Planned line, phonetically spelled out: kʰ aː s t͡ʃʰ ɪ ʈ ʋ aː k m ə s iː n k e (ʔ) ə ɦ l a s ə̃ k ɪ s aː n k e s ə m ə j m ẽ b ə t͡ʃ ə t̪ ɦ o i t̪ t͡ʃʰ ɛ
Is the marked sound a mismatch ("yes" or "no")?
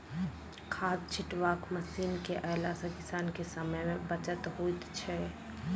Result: no